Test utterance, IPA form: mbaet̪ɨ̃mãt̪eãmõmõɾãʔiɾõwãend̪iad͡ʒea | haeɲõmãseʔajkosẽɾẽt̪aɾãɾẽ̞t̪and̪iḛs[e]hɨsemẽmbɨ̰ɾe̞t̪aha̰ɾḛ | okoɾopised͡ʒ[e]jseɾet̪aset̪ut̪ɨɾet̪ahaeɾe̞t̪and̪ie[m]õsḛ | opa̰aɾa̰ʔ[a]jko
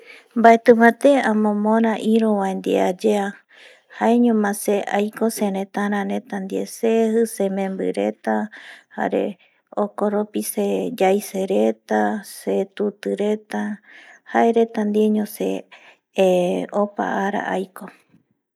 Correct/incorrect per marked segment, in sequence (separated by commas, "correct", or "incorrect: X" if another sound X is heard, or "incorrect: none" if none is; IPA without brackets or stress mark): correct, incorrect: a, incorrect: ɲ, correct